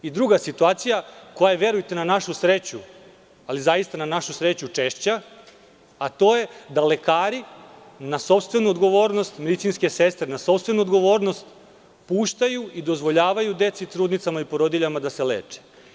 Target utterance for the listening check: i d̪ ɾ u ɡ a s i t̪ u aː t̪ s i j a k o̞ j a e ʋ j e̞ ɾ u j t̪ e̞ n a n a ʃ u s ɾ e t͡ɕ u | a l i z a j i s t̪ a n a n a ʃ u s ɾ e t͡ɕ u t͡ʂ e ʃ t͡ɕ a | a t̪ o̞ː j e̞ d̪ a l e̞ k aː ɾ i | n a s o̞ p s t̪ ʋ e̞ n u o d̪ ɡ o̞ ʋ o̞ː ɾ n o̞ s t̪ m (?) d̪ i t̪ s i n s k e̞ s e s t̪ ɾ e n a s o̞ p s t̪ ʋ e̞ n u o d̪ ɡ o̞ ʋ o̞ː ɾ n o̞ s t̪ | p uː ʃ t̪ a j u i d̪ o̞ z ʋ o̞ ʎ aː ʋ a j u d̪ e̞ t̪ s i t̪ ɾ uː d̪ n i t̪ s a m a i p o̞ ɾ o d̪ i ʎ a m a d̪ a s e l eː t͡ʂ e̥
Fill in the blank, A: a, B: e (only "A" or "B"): B